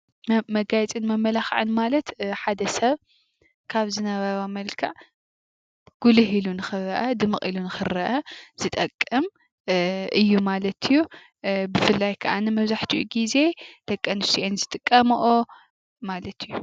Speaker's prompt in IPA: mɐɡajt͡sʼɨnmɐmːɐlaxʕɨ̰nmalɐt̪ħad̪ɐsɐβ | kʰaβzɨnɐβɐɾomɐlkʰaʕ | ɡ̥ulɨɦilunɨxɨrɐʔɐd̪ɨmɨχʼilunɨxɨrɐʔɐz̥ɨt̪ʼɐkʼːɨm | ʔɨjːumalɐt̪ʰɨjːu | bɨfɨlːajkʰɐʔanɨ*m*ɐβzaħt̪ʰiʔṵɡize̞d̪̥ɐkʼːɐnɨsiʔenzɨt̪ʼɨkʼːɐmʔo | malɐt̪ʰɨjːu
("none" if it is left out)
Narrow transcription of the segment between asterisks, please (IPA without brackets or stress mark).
m